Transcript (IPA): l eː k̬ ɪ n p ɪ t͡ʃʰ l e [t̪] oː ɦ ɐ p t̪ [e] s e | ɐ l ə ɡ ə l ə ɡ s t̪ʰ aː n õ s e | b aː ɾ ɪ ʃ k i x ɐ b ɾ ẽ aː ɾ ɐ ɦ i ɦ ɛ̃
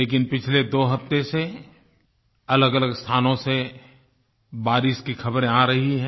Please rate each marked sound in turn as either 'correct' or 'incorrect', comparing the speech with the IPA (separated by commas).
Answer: incorrect, correct